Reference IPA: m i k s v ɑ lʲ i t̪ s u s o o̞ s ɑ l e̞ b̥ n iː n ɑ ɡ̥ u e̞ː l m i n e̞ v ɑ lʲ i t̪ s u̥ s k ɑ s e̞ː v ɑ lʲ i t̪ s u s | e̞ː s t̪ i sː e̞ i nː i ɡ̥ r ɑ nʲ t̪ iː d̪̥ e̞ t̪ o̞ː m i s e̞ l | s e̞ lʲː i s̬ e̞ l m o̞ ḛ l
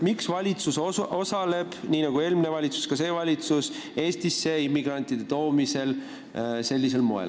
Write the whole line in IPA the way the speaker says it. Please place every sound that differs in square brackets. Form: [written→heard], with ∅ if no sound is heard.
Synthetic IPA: m i k s v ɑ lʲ i t̪ s u s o o̞ s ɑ l e̞ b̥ n iː n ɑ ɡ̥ u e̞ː l m i n e̞ v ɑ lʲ i t̪ s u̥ s k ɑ s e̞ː v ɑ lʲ i t̪ s u s | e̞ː s t̪ i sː e̞ i [nː→mː] i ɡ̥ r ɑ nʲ t̪ [iː→i] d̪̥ e̞ t̪ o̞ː m i s e̞ l | s e̞ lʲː i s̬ e̞ l m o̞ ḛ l

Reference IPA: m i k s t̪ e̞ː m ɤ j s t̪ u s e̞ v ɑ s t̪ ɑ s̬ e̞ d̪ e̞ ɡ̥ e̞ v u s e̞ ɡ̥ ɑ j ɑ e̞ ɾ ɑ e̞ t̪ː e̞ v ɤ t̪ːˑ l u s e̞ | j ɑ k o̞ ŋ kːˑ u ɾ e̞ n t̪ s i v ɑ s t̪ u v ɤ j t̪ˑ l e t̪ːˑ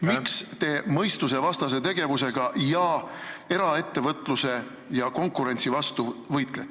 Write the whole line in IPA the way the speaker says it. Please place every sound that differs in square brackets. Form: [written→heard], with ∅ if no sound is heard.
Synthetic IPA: m i k s t̪ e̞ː m ɤ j s t̪ u s e̞ v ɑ s t̪ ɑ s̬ e̞ [d̪→t̪] e̞ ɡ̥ e̞ v u s e̞ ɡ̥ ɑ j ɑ e̞ ɾ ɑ e̞ t̪ː e̞ v ɤ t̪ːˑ l u s e̞ | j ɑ k o̞ ŋ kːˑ u ɾ e̞ n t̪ s i v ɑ s t̪ u v ɤ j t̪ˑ l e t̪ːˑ

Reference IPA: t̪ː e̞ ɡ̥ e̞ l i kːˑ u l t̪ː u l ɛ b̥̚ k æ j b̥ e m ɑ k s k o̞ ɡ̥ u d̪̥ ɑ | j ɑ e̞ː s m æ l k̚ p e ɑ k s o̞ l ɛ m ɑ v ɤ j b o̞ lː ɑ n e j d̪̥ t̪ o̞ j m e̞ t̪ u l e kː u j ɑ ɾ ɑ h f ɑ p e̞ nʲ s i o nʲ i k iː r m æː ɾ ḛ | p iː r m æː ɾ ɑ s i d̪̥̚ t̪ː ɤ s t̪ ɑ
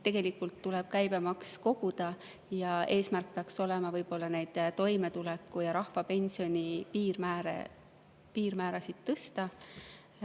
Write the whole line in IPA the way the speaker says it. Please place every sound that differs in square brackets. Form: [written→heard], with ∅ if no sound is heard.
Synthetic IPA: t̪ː e̞ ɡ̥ e̞ l i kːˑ u l t̪ː u l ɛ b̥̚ k æ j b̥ e m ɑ k s k o̞ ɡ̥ u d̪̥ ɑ | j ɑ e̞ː s m æ [l→r] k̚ p e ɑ k s o̞ l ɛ m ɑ v ɤ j b o̞ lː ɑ n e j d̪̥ t̪ o̞ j m e̞ t̪ u l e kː u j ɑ ɾ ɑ h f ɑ p e̞ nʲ s i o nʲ i [k→p] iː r m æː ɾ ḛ | p iː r m æː ɾ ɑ s i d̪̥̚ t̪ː ɤ s t̪ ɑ

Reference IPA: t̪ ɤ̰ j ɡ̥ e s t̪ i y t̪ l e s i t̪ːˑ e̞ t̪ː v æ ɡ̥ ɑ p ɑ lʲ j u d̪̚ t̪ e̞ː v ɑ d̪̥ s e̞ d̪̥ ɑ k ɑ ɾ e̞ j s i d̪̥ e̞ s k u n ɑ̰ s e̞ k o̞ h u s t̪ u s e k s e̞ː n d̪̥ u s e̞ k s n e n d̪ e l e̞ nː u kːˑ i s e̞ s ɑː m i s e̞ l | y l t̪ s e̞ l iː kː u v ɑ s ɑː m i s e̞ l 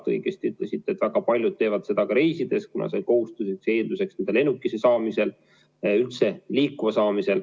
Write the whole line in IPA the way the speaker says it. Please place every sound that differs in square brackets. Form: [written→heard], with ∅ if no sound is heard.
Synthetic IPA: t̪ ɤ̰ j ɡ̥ e s t̪ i y t̪ l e s i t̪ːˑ e̞ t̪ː v æ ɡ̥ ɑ p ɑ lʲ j u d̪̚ t̪ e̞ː v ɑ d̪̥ s e̞ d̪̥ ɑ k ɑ ɾ e̞ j s i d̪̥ e̞ s k u n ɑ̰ s e̞ k o̞ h u s t̪ u s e k s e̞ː n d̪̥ u s e̞ k s n e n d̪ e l e̞ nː u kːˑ i s e̞ s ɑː m i s e̞ l | y l t̪ s e̞ l iː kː u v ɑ s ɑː m i s e̞ l

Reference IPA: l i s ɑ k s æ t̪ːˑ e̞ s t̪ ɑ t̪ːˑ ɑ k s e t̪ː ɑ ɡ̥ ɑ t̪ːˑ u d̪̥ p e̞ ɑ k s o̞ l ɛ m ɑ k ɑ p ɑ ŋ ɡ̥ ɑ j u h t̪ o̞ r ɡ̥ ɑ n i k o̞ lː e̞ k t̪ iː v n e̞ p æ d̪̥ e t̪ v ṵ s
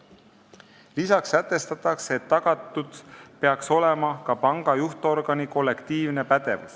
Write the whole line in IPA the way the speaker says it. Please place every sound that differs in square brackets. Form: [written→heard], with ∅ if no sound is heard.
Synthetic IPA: l i s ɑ k s æ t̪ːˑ e̞ s t̪ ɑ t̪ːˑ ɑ k s e t̪ː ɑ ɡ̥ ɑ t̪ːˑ u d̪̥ p e̞ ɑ k s o̞ l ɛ m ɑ k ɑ p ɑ ŋ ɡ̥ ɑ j u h t̪ o̞ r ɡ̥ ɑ n i k o̞ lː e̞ k t̪ iː v n e̞ p æ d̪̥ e [t̪→∅] v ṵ s

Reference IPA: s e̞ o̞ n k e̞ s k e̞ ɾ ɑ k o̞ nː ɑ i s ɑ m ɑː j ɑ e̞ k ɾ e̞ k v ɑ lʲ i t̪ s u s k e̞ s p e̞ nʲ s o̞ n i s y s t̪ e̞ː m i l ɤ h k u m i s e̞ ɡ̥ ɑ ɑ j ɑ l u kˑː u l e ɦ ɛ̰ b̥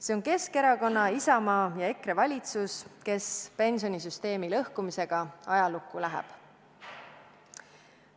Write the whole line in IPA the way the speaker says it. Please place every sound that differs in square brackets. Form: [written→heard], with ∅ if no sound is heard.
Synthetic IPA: s e̞ o̞ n k e̞ s k e̞ ɾ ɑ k o̞ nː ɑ i s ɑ m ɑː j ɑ e̞ k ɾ e̞ [k→∅] v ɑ lʲ i t̪ s u s k e̞ s p e̞ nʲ s o̞ n i s y s t̪ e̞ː m i l ɤ h k u m i s e̞ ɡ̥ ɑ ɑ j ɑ l u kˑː u l [e→æ] ɦ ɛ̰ b̥

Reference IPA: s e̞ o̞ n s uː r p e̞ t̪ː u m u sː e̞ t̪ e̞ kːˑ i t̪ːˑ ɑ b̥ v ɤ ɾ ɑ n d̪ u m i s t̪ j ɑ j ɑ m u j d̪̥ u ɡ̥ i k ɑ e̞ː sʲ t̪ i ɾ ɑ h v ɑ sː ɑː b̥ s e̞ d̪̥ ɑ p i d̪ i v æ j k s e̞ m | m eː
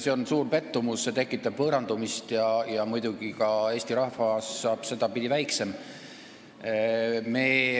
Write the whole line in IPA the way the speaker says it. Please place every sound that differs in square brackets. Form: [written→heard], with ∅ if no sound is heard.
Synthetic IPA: s e̞ o̞ n s uː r p e̞ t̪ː u m u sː e̞ t̪ e̞ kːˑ i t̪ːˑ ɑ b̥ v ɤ ɾ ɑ n d̪ u m i s t̪ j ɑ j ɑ m u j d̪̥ u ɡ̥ i k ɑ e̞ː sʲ t̪ i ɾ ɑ h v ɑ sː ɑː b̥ s e̞ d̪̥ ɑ p i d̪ i v æ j k s e̞ m | m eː

